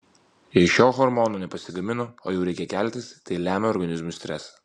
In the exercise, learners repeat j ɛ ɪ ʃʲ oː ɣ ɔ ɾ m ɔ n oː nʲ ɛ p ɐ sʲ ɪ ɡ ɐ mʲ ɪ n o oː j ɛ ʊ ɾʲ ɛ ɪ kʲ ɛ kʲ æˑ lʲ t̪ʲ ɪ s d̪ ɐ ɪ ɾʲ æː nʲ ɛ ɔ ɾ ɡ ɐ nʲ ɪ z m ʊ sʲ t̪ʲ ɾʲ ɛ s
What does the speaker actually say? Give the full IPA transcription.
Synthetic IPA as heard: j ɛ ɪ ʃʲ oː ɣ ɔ ɾ m ɔ n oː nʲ ɛ p ɐ sʲ ɪ ɡ ɐ mʲ ɪ n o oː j ɛ ʊ ɾʲ ɛ ɪ kʲ ɛ kʲ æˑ lʲ t̪ʲ ɪ s t̪ ɐ ɪ lʲ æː mʲ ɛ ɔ ɾ ɡ ɐ nʲ ɪ z m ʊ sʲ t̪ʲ ɾʲ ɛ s